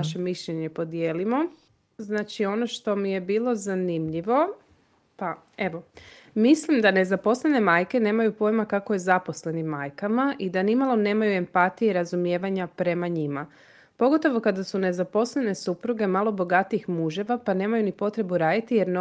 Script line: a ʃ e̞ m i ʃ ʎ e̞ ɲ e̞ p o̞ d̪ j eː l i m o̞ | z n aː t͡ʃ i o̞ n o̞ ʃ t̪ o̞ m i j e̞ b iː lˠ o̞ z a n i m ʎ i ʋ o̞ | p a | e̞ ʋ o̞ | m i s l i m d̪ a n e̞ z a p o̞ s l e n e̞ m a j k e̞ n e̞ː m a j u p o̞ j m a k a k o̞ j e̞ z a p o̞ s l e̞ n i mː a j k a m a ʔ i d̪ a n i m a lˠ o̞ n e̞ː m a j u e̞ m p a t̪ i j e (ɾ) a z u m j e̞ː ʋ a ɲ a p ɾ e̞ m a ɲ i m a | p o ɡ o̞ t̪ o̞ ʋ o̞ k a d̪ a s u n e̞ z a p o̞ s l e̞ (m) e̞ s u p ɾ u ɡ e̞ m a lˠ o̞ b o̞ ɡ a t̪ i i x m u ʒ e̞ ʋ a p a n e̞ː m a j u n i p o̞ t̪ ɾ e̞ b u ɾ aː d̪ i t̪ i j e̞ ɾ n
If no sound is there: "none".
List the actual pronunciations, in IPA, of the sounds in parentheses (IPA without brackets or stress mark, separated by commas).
ɾ, n